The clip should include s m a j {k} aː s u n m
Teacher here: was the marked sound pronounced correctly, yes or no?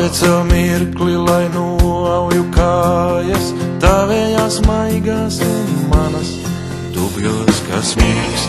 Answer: no